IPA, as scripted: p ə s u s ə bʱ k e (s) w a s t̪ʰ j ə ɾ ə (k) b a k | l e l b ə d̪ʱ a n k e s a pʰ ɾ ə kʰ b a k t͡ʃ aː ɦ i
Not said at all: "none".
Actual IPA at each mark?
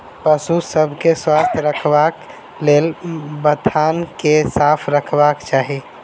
s, kʰ

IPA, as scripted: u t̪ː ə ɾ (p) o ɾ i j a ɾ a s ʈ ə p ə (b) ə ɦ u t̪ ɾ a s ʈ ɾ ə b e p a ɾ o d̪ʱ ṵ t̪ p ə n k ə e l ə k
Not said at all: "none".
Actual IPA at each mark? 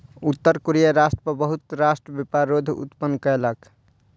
k, b

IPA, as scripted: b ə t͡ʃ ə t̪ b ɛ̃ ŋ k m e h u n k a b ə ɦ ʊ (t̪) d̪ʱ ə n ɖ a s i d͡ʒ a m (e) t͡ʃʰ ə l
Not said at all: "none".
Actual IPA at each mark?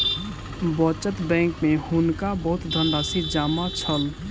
t̪, a

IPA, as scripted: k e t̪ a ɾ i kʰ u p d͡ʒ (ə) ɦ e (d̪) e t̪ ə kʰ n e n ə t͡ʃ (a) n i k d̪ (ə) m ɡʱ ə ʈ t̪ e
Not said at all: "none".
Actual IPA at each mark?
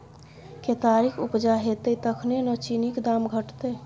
a, t̪, i, a

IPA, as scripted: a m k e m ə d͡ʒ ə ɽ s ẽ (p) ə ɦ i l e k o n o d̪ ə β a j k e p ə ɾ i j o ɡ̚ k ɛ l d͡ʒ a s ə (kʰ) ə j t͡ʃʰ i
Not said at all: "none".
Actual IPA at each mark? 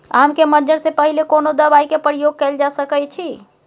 p, k

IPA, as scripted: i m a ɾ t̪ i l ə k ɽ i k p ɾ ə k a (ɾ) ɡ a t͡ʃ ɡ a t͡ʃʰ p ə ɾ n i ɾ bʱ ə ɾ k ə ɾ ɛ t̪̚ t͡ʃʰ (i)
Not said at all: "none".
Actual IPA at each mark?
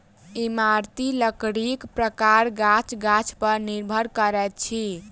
ɾ, i

